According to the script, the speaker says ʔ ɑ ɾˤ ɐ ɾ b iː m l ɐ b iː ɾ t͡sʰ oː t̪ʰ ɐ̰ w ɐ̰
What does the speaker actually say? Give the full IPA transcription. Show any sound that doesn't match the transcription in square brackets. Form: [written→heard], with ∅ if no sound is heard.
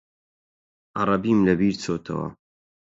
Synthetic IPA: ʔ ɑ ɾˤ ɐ [ɾ→∅] b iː m l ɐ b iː ɾ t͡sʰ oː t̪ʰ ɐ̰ w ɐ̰

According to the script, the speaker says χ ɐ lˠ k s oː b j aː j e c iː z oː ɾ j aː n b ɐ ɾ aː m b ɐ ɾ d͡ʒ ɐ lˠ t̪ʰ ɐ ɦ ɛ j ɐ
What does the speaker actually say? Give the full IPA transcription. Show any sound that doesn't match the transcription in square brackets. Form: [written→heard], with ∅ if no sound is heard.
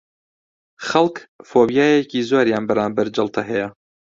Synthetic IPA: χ ɐ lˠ k [s→f] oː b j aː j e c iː z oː ɾ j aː n b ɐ ɾ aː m b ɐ ɾ d͡ʒ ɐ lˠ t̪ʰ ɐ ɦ ɛ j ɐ

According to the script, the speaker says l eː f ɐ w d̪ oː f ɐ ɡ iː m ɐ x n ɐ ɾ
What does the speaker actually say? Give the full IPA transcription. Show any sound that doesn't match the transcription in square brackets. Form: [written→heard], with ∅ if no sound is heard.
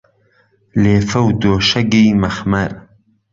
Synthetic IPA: l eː f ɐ w d̪ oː [f→ʃ] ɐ ɡ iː m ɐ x [n→m] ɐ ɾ

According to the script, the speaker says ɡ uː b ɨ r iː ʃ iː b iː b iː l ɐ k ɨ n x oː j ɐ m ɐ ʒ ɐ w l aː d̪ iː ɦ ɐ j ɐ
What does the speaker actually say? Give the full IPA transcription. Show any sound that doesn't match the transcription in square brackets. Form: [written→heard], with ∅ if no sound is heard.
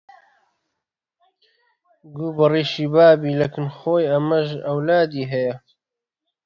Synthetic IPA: ɡ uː b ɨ r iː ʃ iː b [iː→aː] b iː l ɐ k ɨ n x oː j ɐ m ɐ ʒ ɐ w l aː d̪ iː ɦ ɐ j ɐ

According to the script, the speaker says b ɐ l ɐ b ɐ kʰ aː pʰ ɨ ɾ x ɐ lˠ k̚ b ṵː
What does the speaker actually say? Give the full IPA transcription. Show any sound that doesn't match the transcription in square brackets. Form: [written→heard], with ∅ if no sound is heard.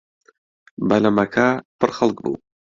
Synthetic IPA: b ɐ l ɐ [b→m] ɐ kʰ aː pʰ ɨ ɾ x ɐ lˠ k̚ b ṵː

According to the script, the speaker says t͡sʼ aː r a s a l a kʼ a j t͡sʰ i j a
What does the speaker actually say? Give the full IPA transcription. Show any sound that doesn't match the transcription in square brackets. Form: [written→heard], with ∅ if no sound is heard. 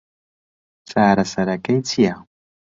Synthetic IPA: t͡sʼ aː [r→ɾ] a s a [l→ɾ] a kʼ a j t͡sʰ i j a

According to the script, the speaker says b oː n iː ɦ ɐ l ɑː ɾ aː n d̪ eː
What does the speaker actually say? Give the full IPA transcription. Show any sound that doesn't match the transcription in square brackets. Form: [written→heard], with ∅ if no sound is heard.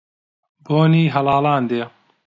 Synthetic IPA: b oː n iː ɦ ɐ l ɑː [ɾ→l] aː n d̪ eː

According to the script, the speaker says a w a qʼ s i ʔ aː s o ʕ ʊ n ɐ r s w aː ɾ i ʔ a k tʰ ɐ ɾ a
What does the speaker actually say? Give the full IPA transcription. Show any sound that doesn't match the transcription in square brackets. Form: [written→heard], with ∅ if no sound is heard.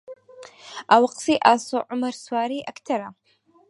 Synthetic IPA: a w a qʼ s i ʔ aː s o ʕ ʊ [n→m] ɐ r s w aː ɾ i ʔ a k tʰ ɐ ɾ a

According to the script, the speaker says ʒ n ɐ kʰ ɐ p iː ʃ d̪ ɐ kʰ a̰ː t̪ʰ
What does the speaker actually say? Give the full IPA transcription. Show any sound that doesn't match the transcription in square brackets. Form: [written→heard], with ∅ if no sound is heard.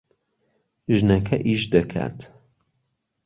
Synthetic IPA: ʒ n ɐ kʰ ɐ [p→ʔ] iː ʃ d̪ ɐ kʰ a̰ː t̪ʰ

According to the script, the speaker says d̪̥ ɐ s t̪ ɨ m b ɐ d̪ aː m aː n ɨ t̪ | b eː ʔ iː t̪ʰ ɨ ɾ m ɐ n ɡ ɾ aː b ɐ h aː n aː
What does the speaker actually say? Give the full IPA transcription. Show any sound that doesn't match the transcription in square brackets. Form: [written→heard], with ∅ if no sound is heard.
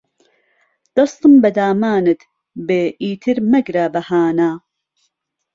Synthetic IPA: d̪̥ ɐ s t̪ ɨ m b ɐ d̪ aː m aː n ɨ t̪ | b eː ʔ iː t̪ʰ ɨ ɾ m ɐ [n→∅] ɡ ɾ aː b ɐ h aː n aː

